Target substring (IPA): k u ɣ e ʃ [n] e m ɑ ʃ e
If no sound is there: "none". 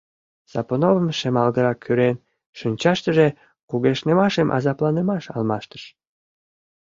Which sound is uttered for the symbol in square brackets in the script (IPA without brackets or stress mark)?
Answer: n